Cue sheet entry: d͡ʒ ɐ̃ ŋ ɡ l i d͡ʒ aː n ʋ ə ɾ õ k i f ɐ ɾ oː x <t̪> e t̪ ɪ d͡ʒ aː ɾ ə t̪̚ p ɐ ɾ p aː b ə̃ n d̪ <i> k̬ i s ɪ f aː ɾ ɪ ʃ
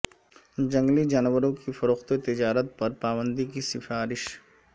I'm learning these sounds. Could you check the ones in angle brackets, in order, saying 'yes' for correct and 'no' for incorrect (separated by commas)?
yes, yes